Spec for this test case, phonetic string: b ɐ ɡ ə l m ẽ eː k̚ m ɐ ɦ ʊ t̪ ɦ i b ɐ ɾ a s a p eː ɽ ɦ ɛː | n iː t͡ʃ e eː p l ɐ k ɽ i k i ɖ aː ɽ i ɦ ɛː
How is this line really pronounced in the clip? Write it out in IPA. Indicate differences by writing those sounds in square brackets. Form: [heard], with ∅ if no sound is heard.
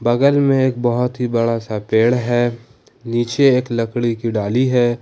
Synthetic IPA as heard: b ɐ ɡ ə l m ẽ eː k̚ [b] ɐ ɦ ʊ t̪ ɦ i b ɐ [ɽ] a s a p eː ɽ ɦ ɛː | n iː t͡ʃ e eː [k] l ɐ k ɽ i k i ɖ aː [l] i ɦ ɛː